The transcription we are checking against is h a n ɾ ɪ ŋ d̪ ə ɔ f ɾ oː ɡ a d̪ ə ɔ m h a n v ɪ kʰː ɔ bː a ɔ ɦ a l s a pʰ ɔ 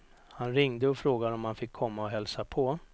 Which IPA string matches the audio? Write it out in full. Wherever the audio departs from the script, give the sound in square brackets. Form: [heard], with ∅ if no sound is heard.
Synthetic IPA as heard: h a n ɾ ɪ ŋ d̪ ə ɔ f ɾ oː ɡ a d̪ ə ɔ m h a n [f] ɪ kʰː ɔ [mː] a ɔ ɦ [ɛ] l s a pʰ ɔ